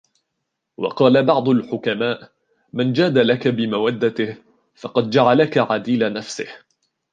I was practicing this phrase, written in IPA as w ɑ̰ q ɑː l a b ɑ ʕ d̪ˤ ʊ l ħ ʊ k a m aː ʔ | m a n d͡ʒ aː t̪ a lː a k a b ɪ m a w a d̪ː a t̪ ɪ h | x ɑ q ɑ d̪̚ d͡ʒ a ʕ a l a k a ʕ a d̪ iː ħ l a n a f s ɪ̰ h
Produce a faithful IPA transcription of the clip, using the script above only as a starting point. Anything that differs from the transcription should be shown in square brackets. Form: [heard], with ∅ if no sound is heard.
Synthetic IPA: w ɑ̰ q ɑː l a b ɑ ʕ d̪ˤ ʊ l ħ ʊ k a m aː ʔ | m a n d͡ʒ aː [d̪] a [l] a k a b ɪ m a w a d̪ː a t̪ ɪ h | [f] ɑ q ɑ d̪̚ d͡ʒ a ʕ a l a k a ʕ a d̪ iː [∅] l a n a f s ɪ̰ h